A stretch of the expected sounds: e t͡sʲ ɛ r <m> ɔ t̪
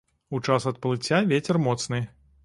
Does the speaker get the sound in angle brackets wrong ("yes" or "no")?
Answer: no